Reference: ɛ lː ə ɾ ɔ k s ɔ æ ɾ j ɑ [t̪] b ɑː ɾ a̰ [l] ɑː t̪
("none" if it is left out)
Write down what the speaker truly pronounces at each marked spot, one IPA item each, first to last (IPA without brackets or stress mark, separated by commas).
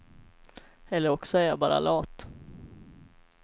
none, l